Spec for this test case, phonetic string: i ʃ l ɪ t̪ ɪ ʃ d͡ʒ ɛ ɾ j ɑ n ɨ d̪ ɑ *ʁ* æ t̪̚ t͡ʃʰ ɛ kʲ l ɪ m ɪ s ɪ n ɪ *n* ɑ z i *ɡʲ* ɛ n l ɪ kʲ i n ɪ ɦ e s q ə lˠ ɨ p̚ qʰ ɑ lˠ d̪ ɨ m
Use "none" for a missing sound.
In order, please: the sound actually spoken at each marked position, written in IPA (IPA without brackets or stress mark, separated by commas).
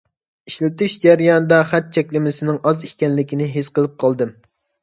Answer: χ, ŋ, kʲ